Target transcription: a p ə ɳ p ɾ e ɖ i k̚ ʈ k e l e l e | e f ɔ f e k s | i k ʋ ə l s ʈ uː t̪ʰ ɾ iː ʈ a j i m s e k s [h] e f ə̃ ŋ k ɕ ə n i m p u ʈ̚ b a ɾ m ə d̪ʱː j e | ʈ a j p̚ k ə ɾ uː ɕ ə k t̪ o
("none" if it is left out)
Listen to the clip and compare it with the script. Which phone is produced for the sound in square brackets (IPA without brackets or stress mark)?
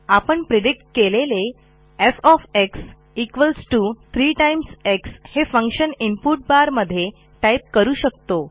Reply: h